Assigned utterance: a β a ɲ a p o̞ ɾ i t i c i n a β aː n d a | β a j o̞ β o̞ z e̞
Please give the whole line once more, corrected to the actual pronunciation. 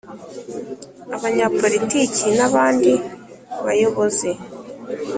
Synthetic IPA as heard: a β a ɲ a p o̞ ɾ i t i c i n a β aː n d i | β a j o̞ β o̞ z e̞